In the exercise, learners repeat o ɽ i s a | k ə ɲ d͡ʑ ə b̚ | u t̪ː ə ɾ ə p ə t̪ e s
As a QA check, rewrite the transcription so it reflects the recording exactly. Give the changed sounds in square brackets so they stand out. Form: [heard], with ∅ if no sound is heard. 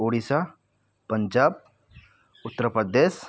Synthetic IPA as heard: o ɽ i s a | [p] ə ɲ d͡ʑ [a] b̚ | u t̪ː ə ɾ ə p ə [d̪] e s